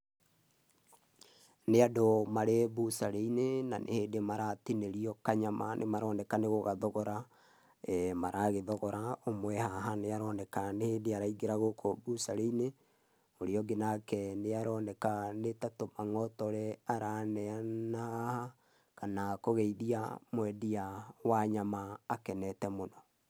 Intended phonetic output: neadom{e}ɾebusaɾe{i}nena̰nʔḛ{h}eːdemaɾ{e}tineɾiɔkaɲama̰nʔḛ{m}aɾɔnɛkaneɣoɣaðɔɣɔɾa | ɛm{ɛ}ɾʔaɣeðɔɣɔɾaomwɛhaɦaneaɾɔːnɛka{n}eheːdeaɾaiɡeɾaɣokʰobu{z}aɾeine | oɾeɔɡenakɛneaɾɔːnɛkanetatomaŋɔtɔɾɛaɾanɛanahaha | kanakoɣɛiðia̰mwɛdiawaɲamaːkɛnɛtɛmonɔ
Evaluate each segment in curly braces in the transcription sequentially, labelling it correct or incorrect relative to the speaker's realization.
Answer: incorrect: a, correct, correct, incorrect: a, correct, incorrect: a, correct, incorrect: s

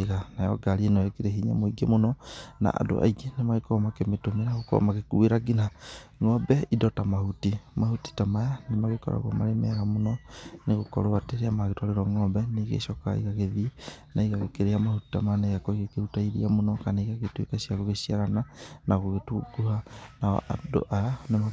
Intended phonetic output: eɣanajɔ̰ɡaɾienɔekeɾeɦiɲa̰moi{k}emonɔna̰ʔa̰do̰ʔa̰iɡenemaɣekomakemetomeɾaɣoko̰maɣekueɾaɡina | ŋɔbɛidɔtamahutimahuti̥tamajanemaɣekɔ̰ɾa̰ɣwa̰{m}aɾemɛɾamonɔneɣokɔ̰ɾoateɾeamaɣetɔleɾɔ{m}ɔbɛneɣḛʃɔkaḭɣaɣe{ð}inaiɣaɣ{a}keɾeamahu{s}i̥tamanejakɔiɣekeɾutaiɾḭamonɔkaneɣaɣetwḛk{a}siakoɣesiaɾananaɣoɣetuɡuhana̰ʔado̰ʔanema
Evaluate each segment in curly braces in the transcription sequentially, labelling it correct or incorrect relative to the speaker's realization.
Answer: incorrect: ɡ, correct, incorrect: ŋ, correct, incorrect: e, incorrect: t, correct

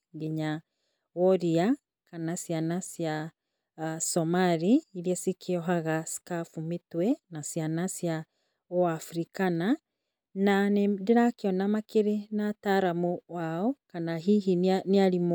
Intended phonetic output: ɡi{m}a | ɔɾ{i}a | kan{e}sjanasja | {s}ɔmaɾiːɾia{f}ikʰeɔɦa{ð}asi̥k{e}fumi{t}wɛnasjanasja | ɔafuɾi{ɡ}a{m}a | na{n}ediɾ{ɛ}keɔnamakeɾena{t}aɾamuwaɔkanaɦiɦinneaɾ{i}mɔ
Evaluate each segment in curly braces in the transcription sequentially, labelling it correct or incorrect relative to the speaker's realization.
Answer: incorrect: ɲ, correct, incorrect: a, correct, incorrect: s, incorrect: ɣ, incorrect: a, correct, incorrect: k, incorrect: n, correct, incorrect: a, correct, correct

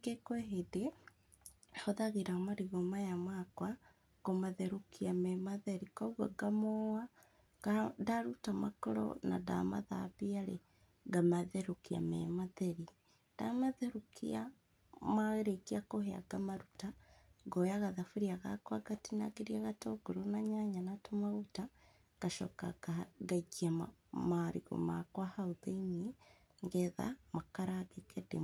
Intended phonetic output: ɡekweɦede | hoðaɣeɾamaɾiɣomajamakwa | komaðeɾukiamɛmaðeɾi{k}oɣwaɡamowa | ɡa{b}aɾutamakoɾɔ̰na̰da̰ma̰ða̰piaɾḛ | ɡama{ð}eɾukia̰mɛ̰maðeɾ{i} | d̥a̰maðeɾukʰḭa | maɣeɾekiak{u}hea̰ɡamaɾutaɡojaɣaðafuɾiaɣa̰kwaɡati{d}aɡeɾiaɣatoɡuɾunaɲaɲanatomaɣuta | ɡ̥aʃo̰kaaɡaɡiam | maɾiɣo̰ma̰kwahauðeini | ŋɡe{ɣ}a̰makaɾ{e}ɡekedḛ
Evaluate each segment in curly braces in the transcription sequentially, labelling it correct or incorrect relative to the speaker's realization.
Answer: correct, incorrect: d, correct, correct, incorrect: o, incorrect: n, incorrect: ð, incorrect: a

